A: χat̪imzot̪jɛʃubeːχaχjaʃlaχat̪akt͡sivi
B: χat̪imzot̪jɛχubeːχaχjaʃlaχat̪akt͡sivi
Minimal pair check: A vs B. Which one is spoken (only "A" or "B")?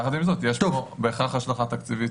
A